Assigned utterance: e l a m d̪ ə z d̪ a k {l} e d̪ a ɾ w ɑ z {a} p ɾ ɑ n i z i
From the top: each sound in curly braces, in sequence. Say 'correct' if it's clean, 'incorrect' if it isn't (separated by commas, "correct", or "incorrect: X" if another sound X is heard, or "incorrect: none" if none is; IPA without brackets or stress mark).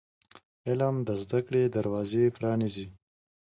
incorrect: ɽ, incorrect: e